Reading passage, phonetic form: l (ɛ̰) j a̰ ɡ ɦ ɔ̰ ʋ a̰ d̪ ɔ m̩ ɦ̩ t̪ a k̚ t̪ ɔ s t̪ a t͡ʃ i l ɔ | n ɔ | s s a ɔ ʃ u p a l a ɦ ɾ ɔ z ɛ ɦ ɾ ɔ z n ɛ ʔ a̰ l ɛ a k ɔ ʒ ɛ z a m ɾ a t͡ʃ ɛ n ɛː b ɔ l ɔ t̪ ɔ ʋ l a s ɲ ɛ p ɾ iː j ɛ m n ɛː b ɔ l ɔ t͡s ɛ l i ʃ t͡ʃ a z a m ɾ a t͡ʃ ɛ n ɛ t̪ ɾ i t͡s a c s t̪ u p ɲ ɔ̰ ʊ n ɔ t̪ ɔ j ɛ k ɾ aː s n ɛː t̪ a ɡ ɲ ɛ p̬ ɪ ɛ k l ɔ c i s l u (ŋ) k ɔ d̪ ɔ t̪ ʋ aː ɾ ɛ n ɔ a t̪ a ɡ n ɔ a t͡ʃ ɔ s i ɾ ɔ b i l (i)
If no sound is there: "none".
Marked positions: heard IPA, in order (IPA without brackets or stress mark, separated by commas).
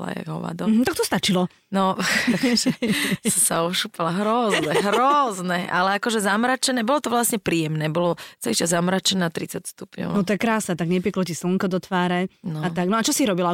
a̰, ŋ, a